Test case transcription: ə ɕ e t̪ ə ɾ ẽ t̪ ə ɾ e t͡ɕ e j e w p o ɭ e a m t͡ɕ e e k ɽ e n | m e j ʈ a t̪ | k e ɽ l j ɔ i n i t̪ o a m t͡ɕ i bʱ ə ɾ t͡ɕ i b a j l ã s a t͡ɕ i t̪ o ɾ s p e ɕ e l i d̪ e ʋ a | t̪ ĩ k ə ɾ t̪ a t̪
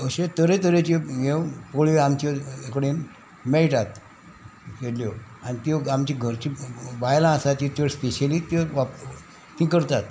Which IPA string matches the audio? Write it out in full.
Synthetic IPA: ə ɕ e t̪ ə ɾ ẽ t̪ ə ɾ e t͡ɕ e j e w p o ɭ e a m t͡ɕ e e k ɽ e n | m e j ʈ a t̪ | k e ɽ l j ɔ a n i t̪ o a m t͡ɕ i ɡʱ ə ɾ t͡ɕ i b a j l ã s a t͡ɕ i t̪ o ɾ s p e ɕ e l i t̪ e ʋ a | t̪ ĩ k ə ɾ t̪ a t̪